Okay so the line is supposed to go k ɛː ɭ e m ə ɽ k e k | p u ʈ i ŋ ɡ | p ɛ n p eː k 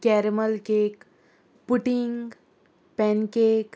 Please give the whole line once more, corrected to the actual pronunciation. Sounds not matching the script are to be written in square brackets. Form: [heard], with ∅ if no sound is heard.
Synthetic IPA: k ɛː [ɾ] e m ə [l] k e k | p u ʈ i ŋ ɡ | p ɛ n [k] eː k

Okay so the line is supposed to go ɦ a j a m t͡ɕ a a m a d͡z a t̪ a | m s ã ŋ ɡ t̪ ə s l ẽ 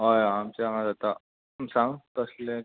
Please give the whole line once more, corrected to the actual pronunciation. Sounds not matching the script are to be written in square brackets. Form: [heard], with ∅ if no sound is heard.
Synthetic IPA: ɦ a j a m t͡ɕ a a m a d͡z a t̪ a | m s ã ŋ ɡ t̪ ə s l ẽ

